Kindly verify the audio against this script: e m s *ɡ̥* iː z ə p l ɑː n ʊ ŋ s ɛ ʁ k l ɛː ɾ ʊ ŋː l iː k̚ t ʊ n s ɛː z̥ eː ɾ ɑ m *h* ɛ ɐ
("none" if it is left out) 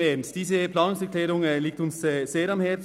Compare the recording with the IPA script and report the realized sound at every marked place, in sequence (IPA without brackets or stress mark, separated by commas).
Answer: d̥, h